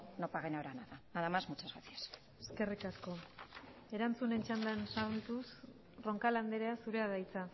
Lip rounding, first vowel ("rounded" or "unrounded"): rounded